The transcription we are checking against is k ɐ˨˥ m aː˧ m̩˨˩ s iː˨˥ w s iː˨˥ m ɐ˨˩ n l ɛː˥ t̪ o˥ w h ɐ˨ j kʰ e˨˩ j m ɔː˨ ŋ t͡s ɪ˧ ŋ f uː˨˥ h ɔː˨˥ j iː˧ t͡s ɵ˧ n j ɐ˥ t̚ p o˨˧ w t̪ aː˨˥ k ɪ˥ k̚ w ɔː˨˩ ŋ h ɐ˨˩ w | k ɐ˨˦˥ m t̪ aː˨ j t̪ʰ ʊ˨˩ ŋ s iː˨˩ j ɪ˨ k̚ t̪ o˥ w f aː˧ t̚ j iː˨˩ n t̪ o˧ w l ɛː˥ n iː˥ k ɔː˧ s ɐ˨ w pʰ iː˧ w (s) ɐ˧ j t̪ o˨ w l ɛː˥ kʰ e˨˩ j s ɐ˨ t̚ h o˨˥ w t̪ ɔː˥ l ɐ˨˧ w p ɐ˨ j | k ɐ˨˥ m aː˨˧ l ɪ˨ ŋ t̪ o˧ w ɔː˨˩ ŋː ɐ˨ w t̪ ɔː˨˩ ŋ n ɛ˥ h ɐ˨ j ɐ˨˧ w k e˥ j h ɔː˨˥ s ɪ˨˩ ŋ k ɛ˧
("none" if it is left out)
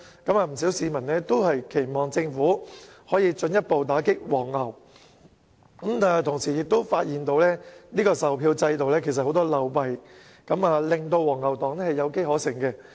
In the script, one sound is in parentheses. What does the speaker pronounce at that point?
t͡s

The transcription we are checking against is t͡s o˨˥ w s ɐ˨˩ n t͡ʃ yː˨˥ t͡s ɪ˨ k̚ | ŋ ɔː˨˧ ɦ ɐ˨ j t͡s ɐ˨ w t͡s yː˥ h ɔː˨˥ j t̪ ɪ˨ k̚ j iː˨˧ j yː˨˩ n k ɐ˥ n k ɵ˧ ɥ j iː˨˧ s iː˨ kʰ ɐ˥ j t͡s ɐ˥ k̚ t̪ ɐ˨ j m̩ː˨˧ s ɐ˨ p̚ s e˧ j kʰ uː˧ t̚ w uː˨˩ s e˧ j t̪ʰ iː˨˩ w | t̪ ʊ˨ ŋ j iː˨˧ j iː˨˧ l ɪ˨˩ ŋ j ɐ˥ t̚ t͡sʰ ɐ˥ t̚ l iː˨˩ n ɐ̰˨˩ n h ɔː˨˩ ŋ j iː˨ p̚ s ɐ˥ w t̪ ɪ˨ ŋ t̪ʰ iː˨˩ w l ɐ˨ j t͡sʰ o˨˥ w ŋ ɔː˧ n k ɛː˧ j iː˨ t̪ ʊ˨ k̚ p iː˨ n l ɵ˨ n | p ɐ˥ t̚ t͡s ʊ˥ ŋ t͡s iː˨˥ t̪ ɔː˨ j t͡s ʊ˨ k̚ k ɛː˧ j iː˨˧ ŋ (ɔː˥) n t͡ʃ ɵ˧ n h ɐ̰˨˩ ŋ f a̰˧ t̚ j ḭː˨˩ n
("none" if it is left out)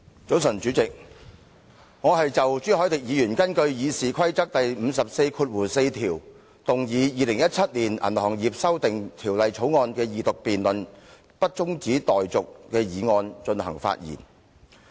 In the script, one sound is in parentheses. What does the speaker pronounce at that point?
ɔː˧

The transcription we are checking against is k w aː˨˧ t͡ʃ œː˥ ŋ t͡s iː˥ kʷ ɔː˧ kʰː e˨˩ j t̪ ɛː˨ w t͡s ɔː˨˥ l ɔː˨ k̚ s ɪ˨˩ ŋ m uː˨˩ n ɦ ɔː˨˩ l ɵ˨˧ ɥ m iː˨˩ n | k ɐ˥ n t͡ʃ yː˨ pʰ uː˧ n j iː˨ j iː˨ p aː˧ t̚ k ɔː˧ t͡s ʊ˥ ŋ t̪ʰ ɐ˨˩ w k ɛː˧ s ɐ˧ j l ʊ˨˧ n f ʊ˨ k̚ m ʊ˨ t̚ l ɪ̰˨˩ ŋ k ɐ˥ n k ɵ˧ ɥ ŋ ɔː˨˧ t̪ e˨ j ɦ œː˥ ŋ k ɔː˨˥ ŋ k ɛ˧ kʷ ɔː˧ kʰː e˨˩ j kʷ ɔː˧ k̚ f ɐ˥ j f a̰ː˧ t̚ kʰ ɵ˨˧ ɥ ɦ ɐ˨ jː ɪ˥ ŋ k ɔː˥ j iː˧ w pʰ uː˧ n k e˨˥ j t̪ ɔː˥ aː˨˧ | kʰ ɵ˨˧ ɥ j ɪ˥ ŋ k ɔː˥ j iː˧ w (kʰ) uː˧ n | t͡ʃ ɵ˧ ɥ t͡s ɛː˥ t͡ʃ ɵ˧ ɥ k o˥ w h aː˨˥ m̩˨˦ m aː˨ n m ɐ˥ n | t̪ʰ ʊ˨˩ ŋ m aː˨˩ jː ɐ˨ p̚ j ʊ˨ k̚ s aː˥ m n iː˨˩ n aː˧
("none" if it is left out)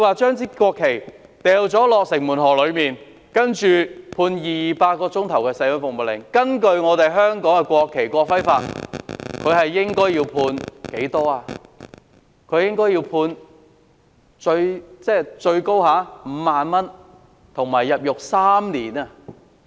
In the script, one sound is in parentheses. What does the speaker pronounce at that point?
pʰ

